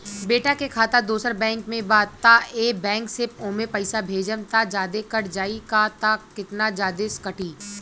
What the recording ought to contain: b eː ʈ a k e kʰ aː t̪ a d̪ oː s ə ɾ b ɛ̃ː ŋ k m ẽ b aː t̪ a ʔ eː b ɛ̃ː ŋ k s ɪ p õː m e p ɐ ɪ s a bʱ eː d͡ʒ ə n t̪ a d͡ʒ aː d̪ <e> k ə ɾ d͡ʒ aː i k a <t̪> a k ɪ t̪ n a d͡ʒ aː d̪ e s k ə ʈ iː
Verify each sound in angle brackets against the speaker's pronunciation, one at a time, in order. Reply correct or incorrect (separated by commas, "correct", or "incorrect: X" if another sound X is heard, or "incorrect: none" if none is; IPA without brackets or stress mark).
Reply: correct, correct